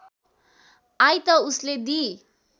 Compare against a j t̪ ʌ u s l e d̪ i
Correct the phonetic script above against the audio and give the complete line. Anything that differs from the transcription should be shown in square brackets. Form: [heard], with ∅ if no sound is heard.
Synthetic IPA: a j t̪ ʌ u s l e d̪ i